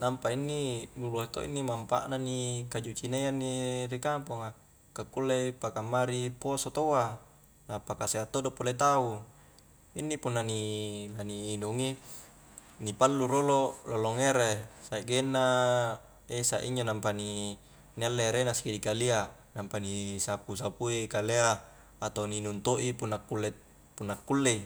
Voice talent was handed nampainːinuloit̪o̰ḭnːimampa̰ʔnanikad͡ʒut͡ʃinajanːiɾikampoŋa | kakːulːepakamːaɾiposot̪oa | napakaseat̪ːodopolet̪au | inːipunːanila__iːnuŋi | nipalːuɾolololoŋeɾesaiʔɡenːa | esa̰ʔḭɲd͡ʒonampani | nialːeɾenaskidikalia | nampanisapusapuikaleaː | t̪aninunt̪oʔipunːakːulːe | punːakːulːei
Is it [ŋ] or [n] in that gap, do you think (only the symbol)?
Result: n